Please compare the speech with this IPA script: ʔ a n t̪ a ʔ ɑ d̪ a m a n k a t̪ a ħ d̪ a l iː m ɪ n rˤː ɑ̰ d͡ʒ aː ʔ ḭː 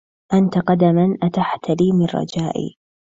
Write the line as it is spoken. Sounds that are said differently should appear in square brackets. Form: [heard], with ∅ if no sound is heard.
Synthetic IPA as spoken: ʔ a n t̪ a [q] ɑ d̪ a m a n [ʔ] a t̪ a ħ [t̪] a l iː m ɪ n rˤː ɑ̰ d͡ʒ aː ʔ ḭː